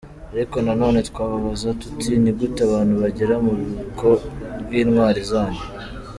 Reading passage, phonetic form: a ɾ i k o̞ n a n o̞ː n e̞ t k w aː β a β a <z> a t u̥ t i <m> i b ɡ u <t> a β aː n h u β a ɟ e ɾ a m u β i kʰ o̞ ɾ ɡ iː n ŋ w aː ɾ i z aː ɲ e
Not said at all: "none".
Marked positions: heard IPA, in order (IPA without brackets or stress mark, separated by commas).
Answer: z, n, t